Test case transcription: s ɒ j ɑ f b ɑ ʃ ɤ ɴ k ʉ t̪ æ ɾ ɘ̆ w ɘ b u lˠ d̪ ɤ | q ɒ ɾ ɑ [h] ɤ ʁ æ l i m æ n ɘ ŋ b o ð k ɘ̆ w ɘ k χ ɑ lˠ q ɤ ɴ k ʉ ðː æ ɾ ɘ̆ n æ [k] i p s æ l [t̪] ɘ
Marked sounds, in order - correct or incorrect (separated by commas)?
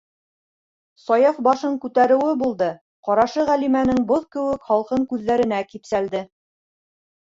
incorrect, correct, incorrect